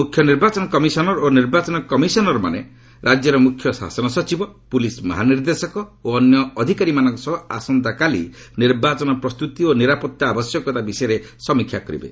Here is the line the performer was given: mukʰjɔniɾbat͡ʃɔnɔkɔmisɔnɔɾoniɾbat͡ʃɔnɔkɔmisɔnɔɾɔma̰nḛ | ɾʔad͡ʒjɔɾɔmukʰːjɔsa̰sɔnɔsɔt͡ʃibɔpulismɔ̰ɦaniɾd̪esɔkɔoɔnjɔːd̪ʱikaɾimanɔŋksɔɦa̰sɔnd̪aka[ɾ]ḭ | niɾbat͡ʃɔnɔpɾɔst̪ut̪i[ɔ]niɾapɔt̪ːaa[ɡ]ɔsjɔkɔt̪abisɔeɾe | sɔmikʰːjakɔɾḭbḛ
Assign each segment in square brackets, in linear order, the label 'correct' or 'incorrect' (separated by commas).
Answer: incorrect, incorrect, incorrect